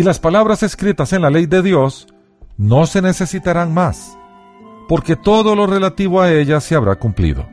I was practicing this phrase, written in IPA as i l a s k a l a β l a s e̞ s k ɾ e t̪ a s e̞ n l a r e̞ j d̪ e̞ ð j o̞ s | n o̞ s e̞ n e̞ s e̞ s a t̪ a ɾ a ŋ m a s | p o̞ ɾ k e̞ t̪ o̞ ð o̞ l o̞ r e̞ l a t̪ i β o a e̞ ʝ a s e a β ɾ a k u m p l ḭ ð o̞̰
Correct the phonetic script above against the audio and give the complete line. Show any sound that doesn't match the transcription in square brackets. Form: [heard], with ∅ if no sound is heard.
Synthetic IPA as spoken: i l a s [p] a l a β [ɾ] a s e̞ s k ɾ [i] t̪ a s e̞ n l a [l] e̞ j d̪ e̞ ð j o̞ s | n o̞ s e̞ n e̞ s e̞ s [i] t̪ a ɾ a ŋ m a s | p o̞ ɾ k e̞ t̪ o̞ ð o̞ l o̞ r e̞ l a t̪ i β o a e̞ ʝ a s e a β ɾ a k u m p l ḭ ð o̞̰